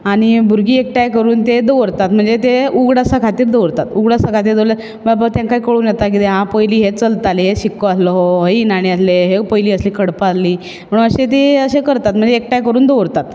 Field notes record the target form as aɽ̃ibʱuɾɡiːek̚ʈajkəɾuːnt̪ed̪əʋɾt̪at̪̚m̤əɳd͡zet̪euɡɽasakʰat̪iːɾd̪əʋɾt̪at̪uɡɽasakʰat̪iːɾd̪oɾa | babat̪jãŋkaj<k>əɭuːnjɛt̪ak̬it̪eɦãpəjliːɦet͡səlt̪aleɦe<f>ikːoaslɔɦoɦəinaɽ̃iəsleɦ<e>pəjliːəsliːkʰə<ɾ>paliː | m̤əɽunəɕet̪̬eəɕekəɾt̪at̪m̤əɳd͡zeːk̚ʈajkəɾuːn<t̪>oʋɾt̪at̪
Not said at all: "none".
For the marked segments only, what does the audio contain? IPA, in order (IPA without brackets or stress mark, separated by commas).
k, ɕ, e, ɽ, d̪